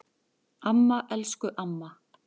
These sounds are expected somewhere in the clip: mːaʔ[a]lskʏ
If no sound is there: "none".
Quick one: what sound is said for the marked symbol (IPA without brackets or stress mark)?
ɛ